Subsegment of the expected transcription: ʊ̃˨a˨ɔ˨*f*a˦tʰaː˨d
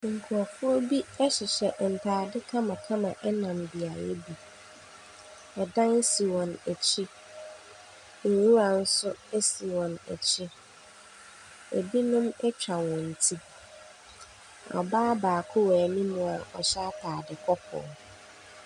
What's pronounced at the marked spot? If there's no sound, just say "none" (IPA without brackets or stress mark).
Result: ɕ